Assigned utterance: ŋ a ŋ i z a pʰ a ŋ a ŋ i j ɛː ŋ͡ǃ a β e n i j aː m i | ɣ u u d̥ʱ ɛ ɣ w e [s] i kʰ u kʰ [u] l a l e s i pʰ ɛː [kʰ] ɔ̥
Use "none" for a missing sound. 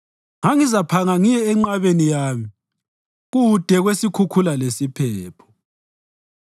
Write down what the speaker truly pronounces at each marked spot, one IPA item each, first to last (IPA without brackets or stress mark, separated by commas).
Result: s, u, pʰ